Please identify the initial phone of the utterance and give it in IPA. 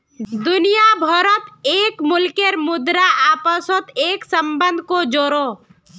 d̪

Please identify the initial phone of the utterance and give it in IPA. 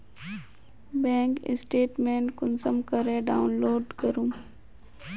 b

